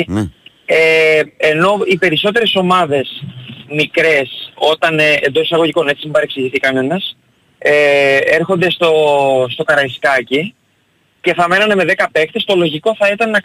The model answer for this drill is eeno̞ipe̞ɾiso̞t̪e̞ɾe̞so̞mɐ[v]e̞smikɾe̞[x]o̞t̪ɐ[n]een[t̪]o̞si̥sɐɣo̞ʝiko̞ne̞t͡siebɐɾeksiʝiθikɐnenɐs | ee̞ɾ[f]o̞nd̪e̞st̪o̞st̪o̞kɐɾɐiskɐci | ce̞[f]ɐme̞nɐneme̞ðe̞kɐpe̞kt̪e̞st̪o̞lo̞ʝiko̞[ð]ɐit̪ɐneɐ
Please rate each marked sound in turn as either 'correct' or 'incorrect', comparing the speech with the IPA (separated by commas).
incorrect, incorrect, correct, incorrect, incorrect, incorrect, incorrect